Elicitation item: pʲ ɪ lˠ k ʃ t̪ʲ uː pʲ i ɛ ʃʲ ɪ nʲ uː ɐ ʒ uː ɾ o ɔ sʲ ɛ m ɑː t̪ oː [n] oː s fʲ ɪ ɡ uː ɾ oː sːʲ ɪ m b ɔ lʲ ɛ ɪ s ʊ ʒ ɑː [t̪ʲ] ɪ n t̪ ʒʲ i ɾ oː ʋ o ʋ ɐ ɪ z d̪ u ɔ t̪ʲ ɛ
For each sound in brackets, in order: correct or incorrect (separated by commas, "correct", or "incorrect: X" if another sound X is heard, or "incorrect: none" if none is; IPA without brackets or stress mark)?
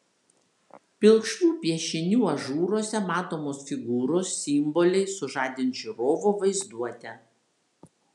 incorrect: m, incorrect: d̪ʲ